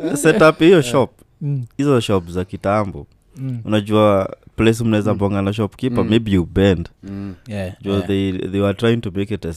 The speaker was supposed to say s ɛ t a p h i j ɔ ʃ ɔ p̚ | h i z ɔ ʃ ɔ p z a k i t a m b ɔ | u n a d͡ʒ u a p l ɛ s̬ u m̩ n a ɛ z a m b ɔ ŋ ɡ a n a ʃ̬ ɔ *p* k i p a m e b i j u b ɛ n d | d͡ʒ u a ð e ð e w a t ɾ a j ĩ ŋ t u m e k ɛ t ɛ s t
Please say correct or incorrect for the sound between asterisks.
correct